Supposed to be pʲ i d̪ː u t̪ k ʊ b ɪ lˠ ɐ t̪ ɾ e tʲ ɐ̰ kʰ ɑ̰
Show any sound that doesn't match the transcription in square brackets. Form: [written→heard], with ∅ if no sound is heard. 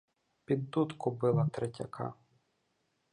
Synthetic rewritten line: pʲ i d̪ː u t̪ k ʊ b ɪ lˠ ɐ t̪ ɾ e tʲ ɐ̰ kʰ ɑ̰